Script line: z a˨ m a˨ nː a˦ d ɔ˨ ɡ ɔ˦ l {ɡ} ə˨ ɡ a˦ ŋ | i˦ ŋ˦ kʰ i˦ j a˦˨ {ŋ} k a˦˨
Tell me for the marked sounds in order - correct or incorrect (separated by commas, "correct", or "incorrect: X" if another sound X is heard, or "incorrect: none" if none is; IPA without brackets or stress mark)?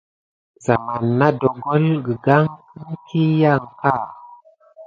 correct, correct